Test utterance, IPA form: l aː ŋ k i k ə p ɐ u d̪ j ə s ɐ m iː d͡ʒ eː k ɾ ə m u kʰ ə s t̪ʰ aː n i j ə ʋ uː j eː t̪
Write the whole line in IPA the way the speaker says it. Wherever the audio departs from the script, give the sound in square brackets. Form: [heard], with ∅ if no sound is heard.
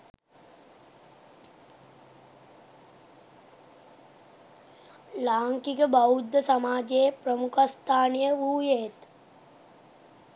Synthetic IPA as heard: l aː ŋ k i k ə [b] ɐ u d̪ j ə s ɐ m [aː] d͡ʒ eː [p] ɾ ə m u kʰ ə s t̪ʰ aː n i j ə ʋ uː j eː t̪